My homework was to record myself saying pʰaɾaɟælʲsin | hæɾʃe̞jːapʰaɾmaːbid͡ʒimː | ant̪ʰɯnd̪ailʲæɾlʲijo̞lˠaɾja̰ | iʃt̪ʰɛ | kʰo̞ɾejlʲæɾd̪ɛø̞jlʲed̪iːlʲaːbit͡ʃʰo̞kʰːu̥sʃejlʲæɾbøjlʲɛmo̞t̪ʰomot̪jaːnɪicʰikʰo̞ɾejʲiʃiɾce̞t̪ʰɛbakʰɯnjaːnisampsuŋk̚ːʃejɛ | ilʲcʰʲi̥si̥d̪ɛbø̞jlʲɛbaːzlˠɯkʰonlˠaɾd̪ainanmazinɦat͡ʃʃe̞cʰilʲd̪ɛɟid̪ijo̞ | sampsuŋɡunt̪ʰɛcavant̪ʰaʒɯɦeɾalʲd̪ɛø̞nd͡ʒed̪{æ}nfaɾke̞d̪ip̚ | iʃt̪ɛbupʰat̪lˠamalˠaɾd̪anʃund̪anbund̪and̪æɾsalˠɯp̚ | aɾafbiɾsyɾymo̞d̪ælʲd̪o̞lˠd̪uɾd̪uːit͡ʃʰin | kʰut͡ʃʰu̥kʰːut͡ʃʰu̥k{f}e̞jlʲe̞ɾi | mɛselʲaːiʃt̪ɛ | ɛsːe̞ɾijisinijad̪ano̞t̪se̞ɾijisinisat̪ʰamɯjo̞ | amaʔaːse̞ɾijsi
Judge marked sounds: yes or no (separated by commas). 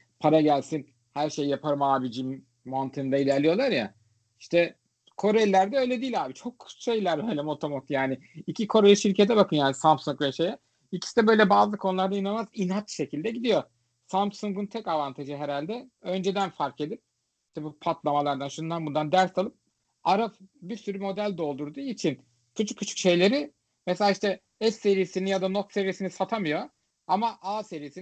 yes, no